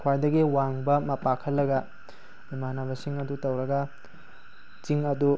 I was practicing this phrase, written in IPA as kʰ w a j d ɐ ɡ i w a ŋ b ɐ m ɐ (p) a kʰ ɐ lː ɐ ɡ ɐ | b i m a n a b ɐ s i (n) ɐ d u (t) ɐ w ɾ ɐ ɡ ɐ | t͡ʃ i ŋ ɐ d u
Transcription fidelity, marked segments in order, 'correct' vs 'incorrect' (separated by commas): correct, incorrect, correct